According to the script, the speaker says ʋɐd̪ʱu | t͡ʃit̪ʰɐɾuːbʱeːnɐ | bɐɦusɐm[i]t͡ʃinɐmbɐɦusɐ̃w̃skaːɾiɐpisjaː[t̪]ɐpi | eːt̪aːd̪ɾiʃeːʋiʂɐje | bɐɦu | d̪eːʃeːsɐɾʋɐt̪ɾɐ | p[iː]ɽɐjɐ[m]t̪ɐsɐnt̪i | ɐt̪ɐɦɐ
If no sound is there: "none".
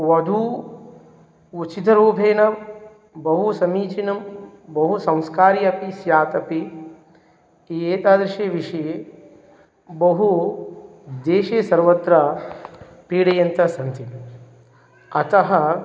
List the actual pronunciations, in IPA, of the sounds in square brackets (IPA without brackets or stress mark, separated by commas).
iː, t̪, iː, n